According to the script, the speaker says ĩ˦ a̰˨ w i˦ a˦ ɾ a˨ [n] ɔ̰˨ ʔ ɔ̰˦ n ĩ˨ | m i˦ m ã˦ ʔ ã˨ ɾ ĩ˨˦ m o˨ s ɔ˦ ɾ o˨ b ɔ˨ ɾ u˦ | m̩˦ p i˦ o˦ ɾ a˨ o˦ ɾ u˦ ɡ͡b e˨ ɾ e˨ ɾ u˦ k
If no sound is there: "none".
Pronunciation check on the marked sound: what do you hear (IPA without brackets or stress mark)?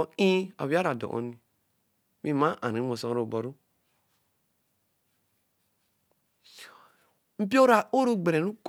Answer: d